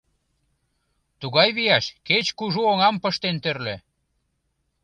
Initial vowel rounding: rounded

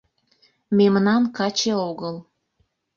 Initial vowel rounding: unrounded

